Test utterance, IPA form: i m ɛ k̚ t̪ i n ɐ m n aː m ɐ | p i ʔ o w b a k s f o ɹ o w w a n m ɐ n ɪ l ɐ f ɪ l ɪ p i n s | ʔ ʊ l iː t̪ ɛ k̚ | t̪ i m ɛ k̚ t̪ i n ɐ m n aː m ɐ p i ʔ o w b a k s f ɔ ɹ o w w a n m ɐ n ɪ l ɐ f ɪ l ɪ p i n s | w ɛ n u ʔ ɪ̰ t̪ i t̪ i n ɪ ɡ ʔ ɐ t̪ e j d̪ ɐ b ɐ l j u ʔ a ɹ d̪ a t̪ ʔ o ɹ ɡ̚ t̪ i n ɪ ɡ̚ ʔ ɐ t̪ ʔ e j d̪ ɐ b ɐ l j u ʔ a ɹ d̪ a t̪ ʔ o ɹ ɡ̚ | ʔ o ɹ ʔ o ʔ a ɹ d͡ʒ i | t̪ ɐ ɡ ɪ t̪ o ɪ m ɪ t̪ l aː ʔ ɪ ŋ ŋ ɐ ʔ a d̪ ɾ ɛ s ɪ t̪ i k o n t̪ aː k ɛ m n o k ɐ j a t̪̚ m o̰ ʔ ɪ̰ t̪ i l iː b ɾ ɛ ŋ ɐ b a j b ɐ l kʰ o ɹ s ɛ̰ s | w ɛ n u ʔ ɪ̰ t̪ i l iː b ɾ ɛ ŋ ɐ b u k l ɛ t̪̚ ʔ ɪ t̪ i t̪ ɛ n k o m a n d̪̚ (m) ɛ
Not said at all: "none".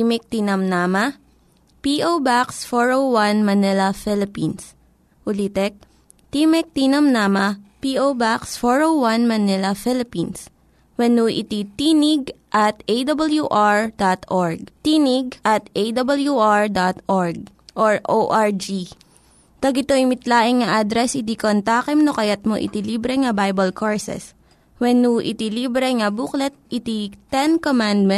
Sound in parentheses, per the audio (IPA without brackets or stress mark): m